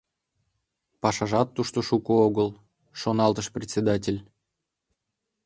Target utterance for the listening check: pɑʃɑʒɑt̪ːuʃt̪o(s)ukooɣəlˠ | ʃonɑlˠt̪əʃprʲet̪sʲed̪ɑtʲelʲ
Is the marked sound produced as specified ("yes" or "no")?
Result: no